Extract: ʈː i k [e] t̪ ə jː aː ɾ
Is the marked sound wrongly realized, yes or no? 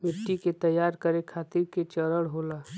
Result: no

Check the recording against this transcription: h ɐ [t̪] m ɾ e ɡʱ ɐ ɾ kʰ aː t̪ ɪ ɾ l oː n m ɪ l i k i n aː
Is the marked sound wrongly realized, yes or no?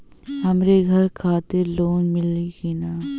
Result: yes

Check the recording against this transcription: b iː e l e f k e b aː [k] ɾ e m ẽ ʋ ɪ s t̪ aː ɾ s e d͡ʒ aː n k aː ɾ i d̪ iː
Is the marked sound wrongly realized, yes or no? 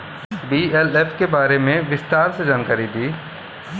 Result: yes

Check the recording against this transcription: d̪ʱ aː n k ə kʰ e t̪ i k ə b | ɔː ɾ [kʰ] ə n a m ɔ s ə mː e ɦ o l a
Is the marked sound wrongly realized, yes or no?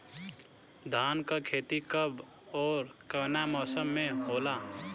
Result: yes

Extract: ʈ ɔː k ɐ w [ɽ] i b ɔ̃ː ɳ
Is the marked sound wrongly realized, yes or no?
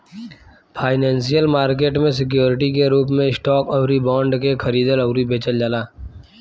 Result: yes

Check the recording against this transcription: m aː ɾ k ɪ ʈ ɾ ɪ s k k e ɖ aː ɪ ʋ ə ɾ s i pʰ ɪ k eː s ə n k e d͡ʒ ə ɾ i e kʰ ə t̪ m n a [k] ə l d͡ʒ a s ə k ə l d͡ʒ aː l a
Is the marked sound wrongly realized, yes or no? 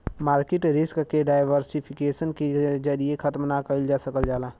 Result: no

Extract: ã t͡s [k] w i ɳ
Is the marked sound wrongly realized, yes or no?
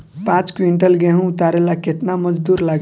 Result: no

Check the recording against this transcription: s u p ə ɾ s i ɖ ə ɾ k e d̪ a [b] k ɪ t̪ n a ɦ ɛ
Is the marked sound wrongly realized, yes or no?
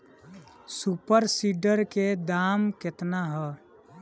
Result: yes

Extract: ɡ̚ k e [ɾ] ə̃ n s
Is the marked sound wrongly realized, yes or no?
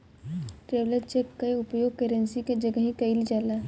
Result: no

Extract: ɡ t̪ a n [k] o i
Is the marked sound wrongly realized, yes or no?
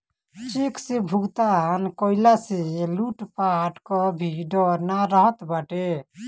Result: no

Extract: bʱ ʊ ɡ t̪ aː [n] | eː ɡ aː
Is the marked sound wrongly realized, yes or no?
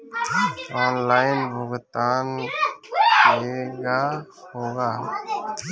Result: no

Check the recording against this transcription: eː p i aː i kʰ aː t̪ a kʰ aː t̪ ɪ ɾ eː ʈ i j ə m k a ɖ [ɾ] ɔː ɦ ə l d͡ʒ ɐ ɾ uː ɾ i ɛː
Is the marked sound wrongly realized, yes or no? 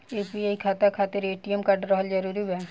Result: no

